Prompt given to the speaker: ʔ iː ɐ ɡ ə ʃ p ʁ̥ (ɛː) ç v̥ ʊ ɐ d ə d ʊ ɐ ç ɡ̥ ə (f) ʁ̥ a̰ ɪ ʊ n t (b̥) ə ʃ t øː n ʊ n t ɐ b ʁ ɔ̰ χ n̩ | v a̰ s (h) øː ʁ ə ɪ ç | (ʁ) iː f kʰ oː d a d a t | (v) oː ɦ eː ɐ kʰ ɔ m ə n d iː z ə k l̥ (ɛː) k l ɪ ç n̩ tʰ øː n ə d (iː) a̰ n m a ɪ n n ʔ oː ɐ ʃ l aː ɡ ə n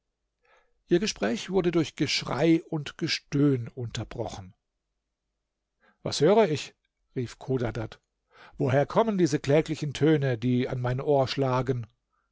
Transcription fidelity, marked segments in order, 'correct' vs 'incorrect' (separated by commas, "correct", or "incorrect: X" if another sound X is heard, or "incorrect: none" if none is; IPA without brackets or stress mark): correct, incorrect: ʃ, incorrect: ɡ̥, correct, correct, correct, correct, correct